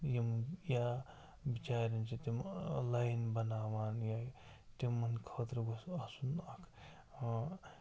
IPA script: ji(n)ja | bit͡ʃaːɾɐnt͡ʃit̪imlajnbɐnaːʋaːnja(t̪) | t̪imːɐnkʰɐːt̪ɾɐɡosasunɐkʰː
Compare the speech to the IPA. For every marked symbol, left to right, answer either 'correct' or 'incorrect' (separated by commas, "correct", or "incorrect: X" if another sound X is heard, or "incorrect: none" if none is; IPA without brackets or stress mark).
incorrect: m, incorrect: none